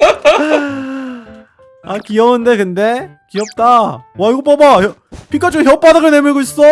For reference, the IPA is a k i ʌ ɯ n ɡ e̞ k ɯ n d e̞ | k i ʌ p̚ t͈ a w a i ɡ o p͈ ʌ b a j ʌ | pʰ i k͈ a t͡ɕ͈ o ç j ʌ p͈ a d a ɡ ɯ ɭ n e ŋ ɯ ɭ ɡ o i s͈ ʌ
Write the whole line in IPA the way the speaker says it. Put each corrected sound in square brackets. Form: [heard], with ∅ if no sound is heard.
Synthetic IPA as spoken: a k i ʌ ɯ n [d] e̞ k ɯ n d e̞ | k i ʌ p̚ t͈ a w a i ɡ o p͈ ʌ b a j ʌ | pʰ i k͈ a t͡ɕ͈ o ç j ʌ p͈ a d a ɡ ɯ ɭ n e [m] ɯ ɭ ɡ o i s͈ ʌ